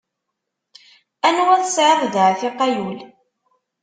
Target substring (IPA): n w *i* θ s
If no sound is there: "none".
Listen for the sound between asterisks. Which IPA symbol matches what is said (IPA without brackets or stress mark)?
æ